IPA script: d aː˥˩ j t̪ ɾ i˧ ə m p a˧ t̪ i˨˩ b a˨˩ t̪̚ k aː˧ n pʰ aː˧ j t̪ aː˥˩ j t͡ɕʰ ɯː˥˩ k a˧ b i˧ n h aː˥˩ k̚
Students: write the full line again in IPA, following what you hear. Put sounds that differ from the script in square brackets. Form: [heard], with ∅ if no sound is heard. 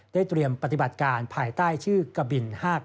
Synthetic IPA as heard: d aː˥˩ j t̪ ɾ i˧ ə m p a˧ t̪ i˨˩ b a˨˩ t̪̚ k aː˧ n pʰ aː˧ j t̪ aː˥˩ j t͡ɕʰ ɯː˥˩ k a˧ b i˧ n h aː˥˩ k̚